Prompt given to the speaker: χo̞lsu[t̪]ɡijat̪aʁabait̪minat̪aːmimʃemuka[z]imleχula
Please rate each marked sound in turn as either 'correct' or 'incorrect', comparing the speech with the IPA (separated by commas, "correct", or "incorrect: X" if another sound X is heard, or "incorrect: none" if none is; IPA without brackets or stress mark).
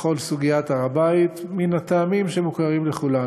incorrect: none, incorrect: ʁ